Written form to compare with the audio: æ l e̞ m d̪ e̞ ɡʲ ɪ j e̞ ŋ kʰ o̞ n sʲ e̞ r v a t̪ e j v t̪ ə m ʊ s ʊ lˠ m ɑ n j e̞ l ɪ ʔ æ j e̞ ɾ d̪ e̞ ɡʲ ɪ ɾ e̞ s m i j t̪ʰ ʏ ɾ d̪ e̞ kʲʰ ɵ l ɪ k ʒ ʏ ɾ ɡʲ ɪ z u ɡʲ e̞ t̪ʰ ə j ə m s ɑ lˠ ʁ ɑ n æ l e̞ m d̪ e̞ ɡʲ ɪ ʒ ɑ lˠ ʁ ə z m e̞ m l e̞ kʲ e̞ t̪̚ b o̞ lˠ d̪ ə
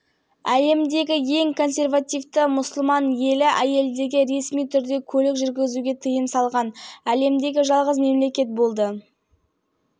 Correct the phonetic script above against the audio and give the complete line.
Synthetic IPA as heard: æ l e̞ m d̪ e̞ ɡʲ ɪ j e̞ ŋ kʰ o̞ n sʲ e̞ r v a t̪ i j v t̪ ə m ʊ s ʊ lˠ m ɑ n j e̞ l ɪ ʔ æ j e̞ l d̪ e̞ ɡʲ ɪ ɾ e̞ s m i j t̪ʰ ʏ ɾ d̪ e̞ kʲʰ ɵ l ɪ k ʒ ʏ ɾ ɡʲ ɪ z u ɡʲ e̞ t̪ʰ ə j ə m s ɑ lˠ ʁ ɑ n æ l e̞ m d̪ e̞ ɡʲ ɪ ʒ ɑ lˠ ʁ ə z m e̞ m l e̞ kʲ e̞ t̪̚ b o̞ lˠ d̪ ə

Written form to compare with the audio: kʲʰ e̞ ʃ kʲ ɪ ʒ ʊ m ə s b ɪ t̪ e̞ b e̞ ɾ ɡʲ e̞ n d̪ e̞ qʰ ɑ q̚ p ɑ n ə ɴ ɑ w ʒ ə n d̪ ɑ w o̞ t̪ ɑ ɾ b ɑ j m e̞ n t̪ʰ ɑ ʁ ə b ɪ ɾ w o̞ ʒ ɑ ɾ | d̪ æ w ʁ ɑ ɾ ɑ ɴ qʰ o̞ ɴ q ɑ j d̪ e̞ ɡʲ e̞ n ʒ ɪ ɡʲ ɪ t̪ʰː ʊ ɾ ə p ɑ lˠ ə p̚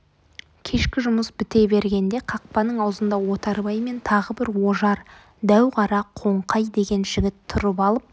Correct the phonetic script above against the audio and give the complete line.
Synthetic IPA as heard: kʲʰ e̞ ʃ kʲ ɪ ʒ ʊ m ə s b ɪ t̪ e̞ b e̞ ɾ ɡʲ e̞ n d̪ e̞ qʰ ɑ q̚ p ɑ n ə ɴ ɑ w z ə n d̪ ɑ w o̞ t̪ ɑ ɾ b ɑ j m e̞ n t̪ʰ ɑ ʁ ə b ɪ ɾ w o̞ ʒ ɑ ɾ | d̪ æ w ʁ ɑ ɾ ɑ qʰ o̞ ɴ q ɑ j d̪ e̞ ɡʲ e̞ n ʒ ɪ ɡʲ ɪ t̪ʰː ʊ ɾ ə p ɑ lˠ ə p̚

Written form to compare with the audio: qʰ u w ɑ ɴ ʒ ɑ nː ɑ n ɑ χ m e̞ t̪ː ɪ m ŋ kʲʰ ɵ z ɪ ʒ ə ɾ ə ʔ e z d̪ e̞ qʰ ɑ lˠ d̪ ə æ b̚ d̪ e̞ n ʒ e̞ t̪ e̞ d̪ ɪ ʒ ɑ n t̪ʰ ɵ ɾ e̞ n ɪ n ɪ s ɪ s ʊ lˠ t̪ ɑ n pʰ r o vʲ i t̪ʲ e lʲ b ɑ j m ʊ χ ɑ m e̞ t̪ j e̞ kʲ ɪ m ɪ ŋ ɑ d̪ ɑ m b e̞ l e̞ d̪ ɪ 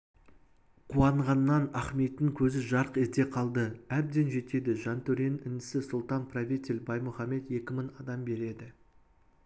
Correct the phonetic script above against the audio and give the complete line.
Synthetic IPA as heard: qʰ u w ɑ ɴ ʁ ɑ nː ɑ n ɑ χ m e̞ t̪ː ɪ ŋ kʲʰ ɵ z ɪ ʒ ɑ ɾ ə q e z d̪ e̞ qʰ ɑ lˠ d̪ ə æ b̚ d̪ e̞ n ʒ e̞ t̪ e̞ d̪ ɪ ʒ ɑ n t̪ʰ ɵ ɾ e̞ n ɪ n ɪ s ɪ s ʊ lˠ t̪ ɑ n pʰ r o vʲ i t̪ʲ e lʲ b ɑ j m ʊ χ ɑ m e̞ t̪ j e̞ kʲ ɪ m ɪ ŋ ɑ d̪ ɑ m b e̞ ɾ e̞ d̪ ɪ

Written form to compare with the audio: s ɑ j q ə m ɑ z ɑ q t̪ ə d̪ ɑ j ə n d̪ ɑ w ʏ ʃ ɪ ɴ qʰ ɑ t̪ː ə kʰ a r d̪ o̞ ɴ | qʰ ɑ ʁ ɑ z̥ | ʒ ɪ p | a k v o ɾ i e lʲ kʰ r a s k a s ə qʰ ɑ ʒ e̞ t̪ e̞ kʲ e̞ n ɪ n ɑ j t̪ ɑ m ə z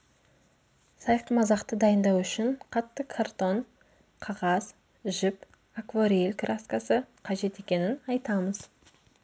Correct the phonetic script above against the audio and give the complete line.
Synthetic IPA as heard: s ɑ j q ə m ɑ z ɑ q t̪ ə d̪ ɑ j ə n d̪ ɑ w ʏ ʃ ɪ ɴ qʰ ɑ t̪ː ə kʰ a r t̪ o̞ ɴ | qʰ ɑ ʁ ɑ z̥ | ʒ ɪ p | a k v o ɾ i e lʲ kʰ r a s k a s ə qʰ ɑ ʒ e̞ t̪ e̞ kʲ e̞ n ɪ n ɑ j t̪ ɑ m ə z

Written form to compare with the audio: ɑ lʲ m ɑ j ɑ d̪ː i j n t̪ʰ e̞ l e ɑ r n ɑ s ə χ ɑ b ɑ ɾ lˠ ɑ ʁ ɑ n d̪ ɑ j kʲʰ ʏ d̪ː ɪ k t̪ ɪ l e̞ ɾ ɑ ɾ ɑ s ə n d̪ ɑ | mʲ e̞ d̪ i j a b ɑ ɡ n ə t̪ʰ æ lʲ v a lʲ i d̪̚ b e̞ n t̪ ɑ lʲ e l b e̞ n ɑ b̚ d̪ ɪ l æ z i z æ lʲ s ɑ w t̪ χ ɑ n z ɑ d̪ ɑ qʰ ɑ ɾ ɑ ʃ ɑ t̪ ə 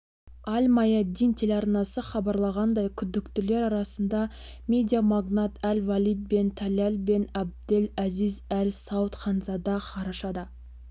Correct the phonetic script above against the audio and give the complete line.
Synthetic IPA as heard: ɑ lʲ m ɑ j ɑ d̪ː i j n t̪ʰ e̞ l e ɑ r n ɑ s ə χ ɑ b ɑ ɾ lˠ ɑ ʁ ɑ n d̪ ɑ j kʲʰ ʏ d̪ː ɪ k t̪ ɪ l e̞ ɾ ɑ ɾ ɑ s ə n d̪ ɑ | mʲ e̞ d̪ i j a m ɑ ɡ n ɑ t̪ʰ æ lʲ v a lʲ i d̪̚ b e̞ n t̪ʰ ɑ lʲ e l b e̞ n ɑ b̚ d̪ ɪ l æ z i z æ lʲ s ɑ w t̪ χ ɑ n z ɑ d̪ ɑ qʰ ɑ ɾ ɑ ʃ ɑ d̪ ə

